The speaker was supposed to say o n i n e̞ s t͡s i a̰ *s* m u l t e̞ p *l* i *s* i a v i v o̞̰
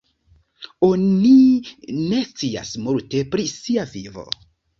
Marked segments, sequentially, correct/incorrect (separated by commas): correct, incorrect, correct